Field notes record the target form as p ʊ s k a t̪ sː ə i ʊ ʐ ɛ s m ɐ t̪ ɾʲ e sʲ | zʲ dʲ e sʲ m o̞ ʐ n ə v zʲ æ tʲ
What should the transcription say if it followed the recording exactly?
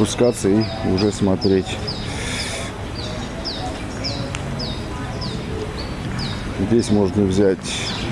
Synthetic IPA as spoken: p ʊ s k a t̪ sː ə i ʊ ʐ ɛ s m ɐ t̪ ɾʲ e tʲ | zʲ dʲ e sʲ m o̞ ʐ n ə v zʲ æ tʲ